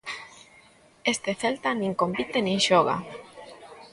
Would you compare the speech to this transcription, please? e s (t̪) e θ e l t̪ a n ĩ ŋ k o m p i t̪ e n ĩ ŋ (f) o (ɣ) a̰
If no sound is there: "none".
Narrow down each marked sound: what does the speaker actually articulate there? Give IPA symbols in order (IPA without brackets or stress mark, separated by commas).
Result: t̪, ʃ, ɣ